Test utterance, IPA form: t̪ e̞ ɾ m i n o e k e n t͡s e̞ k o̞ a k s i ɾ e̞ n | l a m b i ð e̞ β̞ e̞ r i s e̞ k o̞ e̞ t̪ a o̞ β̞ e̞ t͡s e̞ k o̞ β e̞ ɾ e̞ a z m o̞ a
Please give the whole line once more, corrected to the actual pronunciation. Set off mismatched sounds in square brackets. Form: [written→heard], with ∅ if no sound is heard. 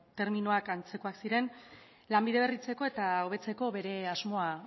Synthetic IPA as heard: t̪ e̞ ɾ m i n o [e→a] k [e→a] n t͡s e̞ k o̞ a k s i ɾ e̞ n | l a m b i ð e̞ β̞ e̞ r i [s→t͡s] e̞ k o̞ e̞ t̪ a o̞ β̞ e̞ t͡s e̞ k o̞ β e̞ ɾ e̞ a z m o̞ a